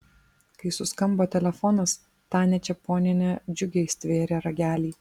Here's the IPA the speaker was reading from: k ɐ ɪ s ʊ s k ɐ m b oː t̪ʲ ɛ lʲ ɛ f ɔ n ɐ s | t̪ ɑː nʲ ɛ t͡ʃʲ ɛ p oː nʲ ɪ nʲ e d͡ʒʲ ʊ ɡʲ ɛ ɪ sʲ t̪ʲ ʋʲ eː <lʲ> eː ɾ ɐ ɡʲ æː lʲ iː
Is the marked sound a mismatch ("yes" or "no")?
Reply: yes